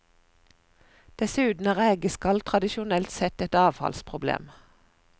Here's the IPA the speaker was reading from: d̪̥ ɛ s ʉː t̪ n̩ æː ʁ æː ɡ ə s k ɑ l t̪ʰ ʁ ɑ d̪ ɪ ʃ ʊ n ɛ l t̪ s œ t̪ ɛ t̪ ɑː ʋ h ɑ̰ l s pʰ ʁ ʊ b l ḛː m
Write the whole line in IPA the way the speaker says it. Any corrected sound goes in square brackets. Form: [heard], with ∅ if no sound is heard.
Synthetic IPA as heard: d̪̥ ɛ s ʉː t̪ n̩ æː ʁ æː ɡ ə s k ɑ l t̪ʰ ʁ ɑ d̪ ɪ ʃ ʊ n ɛ l t̪ s [ɛ] t̪ ɛ t̪ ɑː ʋ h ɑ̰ l s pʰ ʁ ʊ b l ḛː m